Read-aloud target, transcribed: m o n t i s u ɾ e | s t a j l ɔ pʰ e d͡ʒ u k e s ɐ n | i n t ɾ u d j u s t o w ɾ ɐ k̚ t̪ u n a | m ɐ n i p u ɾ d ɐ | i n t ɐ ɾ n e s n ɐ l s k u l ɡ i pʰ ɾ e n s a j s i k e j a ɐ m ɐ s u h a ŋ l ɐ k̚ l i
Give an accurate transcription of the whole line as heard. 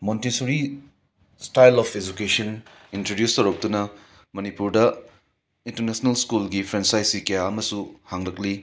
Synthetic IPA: m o n t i s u ɾ i | s t a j l ɔ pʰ e d͡ʒ u k e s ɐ n | i n t ɾ o d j u s t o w ɾ ɐ k̚ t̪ u n ɐ | m ɐ n i p u ɾ d ɐ | i n t ɐ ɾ n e s n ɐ l s k u l ɡ i pʰ ɾ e n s a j s i k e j a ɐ m ɐ s u h a ŋ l ɐ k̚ l i

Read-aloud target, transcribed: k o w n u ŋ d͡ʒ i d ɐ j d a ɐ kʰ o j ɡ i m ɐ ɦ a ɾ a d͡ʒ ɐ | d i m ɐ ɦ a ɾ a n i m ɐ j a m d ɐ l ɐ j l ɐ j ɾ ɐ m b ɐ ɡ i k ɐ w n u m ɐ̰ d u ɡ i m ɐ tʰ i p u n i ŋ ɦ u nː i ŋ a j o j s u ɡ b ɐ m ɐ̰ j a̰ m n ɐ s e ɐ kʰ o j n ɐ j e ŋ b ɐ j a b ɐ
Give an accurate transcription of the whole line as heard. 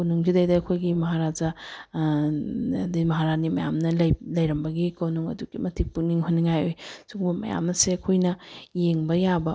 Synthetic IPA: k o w n u ŋ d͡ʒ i d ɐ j d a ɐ kʰ o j ɡ i m ɐ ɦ a ɾ a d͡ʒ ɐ | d i m ɐ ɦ a ɾ a n i m ɐ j a m n ɐ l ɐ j l ɐ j ɾ ɐ m b ɐ ɡ i k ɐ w n u ŋ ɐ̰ d u ɡ i m ɐ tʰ i p u n i ŋ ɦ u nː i ŋ a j o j s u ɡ b ɐ m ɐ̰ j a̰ m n ɐ s e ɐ kʰ o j n ɐ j e ŋ b ɐ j a b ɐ

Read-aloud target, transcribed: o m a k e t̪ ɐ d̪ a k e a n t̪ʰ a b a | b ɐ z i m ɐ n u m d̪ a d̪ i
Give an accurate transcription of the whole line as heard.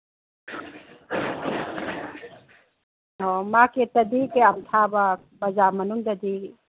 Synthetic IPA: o m a k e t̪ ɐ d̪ i k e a m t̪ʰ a b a | b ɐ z a m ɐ n u ŋ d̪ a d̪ i

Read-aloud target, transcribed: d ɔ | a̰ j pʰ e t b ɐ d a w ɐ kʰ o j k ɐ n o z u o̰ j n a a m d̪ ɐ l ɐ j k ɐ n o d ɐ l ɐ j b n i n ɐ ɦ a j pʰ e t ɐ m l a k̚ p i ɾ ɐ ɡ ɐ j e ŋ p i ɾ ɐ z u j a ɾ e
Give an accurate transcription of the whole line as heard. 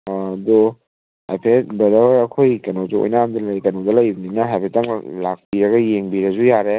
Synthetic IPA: d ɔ | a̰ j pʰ e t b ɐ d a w ɐ kʰ o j k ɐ n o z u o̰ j n a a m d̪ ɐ l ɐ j k ɐ n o d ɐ l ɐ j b n i n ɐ ɦ a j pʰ e t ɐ ŋ l a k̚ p i ɾ ɐ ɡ ɐ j e ŋ b i ɾ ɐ z u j a ɾ e

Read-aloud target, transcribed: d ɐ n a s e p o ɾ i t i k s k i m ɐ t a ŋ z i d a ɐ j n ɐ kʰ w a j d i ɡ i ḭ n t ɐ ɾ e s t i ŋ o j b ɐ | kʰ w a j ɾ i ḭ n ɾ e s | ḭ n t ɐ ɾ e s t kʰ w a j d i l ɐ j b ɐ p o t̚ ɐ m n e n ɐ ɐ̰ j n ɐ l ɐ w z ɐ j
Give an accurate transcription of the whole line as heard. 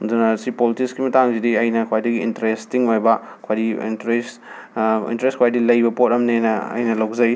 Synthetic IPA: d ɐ n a s i p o l i t i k s k i m ɐ t a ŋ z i d i ɐ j n ɐ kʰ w a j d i ɡ i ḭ n t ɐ ɾ e s t i ŋ o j b ɐ | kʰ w a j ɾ i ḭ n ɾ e s | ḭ n t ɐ ɾ e s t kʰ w a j d i l ɐ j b ɐ p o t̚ ɐ m n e n ɐ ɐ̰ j n ɐ l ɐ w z ɐ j

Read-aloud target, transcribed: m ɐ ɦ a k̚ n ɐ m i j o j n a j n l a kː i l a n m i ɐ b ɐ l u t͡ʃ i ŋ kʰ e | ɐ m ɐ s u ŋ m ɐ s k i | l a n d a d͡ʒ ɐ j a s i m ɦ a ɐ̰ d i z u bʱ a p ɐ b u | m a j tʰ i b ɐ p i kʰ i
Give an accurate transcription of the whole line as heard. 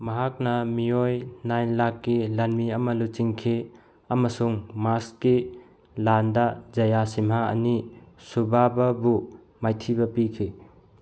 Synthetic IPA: m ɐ ɦ a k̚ n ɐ m i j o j n a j n l a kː i l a n m i ɐ m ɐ l u t͡ʃ i ŋ kʰ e | ɐ m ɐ s u ŋ m a s k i | l a n d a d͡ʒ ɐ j a s i m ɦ a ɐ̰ n i s u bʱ a b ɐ b u | m a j tʰ i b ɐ p i kʰ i

